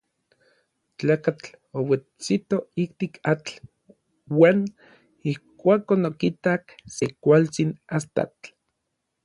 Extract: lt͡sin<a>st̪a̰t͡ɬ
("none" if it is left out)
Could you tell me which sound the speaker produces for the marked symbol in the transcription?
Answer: a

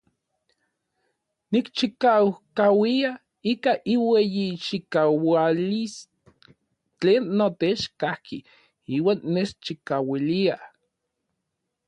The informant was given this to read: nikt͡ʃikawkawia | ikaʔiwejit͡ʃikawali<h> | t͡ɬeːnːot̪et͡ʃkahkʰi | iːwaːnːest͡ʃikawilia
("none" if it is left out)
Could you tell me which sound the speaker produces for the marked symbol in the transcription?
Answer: s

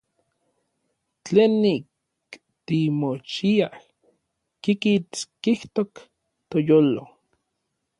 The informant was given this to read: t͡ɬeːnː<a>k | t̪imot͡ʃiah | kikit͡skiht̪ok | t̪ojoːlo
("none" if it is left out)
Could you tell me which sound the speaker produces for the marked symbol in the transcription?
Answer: i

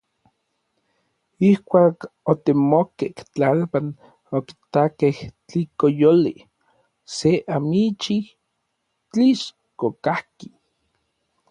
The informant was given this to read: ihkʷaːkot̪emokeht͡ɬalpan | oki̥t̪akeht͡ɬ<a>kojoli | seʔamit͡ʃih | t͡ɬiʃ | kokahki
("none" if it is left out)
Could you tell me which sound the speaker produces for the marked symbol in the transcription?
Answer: i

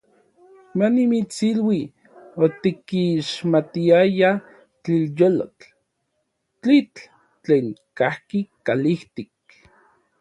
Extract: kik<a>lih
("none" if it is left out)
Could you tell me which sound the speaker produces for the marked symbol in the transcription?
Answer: a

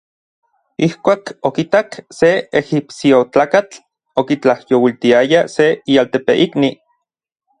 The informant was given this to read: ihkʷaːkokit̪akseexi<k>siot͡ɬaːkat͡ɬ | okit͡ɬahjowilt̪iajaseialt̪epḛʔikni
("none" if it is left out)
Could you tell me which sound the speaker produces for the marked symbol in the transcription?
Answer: p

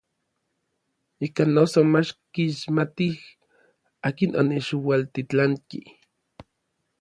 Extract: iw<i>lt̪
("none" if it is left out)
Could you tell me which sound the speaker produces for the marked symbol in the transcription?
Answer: a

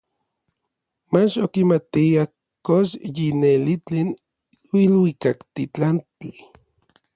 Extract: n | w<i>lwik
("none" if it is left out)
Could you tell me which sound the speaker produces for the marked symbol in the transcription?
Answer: i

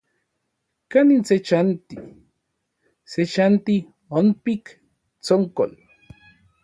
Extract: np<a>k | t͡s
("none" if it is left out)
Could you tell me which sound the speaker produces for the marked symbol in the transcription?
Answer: i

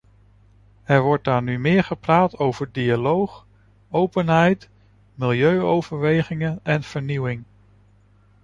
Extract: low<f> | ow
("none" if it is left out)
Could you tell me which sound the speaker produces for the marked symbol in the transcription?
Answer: χ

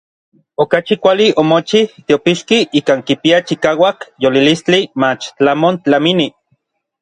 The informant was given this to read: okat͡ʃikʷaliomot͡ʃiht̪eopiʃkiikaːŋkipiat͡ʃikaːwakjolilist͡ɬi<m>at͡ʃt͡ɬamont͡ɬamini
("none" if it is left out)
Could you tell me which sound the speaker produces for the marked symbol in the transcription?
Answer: m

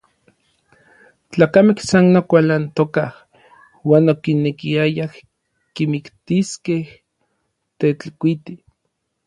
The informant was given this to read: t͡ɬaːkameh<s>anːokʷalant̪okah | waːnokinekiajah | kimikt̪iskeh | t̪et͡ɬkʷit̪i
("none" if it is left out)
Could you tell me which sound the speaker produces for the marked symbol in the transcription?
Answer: s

